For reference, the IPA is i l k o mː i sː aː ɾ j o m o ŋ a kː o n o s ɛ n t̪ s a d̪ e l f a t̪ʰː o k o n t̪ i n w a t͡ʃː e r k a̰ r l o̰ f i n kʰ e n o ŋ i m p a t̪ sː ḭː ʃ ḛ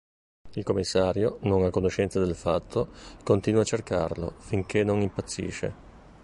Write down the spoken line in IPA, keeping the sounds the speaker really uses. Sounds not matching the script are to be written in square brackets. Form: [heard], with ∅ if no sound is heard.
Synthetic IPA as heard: i l k o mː i sː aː ɾ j o [n] o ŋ a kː o n o [ʃ] ɛ n t̪ s a d̪ e l f a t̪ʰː o k o n t̪ i n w a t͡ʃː e r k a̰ r l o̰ f i [ŋ] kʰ e n o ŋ i m p a t̪ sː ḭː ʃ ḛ